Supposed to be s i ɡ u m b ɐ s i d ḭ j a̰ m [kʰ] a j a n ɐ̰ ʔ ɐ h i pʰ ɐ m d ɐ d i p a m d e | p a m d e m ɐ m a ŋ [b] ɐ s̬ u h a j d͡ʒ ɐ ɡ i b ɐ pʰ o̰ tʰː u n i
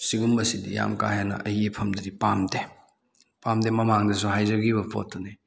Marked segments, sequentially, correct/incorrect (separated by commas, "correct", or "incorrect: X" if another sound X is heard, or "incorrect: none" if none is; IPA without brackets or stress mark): incorrect: k, incorrect: d